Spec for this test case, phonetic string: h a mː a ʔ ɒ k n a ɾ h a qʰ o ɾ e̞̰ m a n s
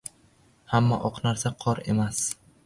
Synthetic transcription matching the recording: h a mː a ʔ ɒ q n a ɾ s a qʰ ɒ ɾ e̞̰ m a s